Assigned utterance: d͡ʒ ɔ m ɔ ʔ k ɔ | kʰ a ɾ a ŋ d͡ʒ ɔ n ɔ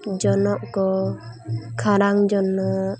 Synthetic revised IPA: d͡ʒ ɔ n ɔ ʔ k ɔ | kʰ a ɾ a ŋ d͡ʒ ɔ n ɔ